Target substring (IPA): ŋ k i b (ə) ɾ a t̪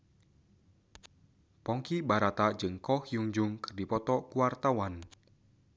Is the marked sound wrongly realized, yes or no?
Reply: yes